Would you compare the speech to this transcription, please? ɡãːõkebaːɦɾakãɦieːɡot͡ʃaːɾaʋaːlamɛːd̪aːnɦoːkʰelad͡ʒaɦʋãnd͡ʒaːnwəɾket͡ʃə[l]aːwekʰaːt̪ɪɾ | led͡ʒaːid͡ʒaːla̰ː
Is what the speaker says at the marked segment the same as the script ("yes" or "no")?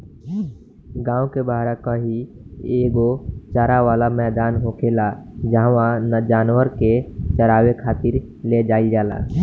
no